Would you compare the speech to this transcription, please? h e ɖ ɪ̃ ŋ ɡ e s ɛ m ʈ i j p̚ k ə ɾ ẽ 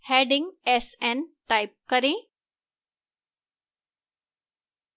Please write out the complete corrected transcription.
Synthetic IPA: h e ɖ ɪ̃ ŋ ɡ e s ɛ n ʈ a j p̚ k ə ɾ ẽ